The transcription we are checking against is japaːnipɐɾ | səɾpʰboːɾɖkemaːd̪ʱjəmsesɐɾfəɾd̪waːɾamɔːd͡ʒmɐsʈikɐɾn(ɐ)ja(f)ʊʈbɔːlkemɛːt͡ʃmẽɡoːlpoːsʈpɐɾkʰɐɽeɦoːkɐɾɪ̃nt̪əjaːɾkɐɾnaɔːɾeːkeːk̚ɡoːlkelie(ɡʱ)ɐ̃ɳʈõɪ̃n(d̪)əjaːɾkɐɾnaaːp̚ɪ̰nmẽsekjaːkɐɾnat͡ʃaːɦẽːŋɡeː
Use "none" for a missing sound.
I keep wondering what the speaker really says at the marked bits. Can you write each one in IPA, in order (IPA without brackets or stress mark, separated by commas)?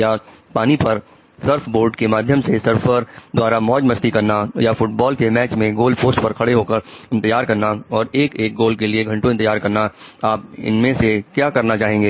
a, f, ɡʱ, t̪